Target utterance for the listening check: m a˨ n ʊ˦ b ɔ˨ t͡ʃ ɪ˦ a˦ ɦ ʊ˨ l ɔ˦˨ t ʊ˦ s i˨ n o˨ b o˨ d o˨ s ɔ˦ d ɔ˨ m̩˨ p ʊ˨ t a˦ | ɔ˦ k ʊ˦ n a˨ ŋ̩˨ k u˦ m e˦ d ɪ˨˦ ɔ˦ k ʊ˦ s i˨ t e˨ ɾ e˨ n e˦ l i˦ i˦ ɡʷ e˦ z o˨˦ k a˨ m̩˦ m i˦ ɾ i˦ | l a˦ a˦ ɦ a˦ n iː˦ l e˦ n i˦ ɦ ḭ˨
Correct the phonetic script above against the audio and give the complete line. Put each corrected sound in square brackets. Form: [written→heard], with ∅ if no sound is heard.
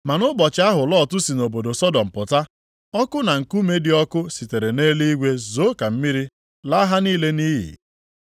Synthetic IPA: m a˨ n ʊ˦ b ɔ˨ t͡ʃ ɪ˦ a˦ ɦ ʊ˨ l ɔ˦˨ t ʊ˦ s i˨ n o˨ b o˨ d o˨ s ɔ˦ d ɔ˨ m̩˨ p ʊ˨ t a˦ | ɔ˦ k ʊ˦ n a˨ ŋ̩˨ k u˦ m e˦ d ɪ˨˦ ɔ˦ k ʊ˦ s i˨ t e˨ ɾ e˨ n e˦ l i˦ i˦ ɡʷ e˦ z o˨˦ k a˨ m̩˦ m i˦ ɾ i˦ | l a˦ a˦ ɦ a˦ n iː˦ l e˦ n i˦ ɦ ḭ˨